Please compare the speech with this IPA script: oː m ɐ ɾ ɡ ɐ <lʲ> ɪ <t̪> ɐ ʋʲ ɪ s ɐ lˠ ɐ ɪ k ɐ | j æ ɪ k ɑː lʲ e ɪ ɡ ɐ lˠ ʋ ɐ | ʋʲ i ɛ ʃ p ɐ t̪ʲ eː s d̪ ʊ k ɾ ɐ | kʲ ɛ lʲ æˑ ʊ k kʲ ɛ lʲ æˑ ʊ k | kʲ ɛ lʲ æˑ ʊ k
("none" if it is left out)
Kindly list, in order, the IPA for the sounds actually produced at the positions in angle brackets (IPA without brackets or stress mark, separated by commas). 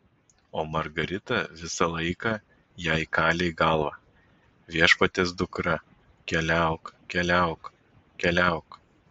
ɾʲ, t̪